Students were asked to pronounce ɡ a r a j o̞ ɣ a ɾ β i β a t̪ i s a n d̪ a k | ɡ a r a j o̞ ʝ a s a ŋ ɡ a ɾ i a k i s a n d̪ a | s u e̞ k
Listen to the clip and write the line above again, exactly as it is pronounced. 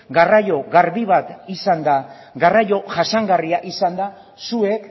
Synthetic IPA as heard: ɡ a r a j o̞ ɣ a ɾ β i β a t̪ i s a n d̪ a | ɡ a r a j o̞ ʝ a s a ŋ ɡ a r i a ʔ i s a n d̪ a | s u e̞ k